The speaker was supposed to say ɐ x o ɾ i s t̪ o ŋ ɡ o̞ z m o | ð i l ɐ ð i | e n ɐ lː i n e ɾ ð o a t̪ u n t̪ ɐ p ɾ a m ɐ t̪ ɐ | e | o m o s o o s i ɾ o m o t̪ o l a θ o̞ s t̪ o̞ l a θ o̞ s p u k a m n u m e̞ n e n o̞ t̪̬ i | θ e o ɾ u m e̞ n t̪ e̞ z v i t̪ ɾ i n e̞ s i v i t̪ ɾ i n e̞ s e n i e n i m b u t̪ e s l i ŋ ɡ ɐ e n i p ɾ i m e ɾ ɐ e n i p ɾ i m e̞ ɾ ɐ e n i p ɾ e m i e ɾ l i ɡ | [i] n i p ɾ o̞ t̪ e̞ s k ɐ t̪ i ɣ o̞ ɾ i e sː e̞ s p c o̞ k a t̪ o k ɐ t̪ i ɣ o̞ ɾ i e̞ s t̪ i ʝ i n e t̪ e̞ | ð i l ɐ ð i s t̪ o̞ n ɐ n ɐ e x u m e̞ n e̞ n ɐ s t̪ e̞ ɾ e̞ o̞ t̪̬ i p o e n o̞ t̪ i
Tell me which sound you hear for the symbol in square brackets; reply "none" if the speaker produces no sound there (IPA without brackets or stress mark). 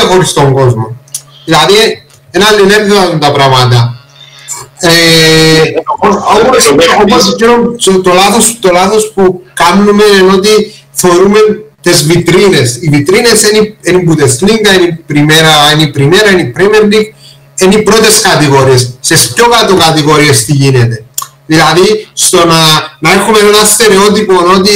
e